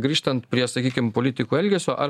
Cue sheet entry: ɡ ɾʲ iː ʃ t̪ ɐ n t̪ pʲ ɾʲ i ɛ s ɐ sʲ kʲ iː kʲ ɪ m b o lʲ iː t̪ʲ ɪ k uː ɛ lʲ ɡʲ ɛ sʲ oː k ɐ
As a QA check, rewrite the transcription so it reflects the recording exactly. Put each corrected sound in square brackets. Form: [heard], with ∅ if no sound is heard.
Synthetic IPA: ɡ ɾʲ iː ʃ t̪ ɐ n t̪ pʲ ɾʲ i ɛ s ɐ [∅] kʲ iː kʲ ɪ m [p] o lʲ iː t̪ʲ ɪ k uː ɛ lʲ ɡʲ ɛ sʲ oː [ʔ] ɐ